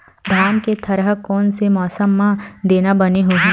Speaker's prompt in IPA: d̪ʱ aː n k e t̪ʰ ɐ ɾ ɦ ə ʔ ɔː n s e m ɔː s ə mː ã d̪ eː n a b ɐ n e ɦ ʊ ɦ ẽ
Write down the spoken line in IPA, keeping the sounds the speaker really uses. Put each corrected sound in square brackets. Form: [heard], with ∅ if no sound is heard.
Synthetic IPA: d̪ʱ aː [m] k e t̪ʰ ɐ ɾ ɦ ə [k] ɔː n s e m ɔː s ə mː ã d̪ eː n a b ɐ n e ɦ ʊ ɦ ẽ